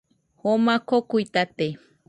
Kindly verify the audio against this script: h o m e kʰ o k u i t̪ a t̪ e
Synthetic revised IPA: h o m a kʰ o k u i t̪ a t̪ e